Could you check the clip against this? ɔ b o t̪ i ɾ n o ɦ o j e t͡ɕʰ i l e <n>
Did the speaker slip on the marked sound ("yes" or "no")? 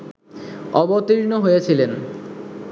no